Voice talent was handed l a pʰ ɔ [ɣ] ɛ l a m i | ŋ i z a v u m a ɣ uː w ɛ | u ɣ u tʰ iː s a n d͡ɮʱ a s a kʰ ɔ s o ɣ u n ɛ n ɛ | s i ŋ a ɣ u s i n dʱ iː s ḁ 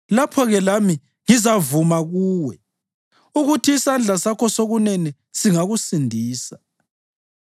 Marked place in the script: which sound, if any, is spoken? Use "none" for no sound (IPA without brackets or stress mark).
ɣ